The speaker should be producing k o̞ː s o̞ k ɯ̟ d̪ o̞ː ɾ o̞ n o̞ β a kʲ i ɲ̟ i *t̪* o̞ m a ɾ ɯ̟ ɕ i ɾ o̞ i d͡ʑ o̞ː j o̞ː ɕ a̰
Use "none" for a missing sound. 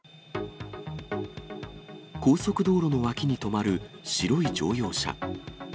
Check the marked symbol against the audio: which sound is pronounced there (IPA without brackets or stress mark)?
t̪